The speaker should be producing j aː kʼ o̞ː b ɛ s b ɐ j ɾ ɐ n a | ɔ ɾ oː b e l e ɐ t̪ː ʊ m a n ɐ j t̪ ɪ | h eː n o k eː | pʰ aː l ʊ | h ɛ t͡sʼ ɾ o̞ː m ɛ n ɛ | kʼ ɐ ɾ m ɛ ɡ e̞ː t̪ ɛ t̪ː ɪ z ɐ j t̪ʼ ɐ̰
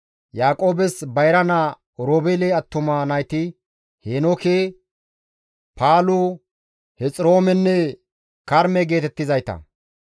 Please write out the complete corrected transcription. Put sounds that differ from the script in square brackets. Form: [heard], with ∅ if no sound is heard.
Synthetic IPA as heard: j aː kʼ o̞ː b ɛ s b ɐ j ɾ ɐ n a | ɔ ɾ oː b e l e ɐ t̪ː ʊ m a n ɐ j t̪ ɪ | h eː n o k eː | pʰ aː l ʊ | h ɛ t͡sʼ ɾ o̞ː m ɛ [nː] ɛ | [k] ɐ ɾ m ɛ ɡ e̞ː t̪ ɛ t̪ː ɪ z ɐ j [t̪] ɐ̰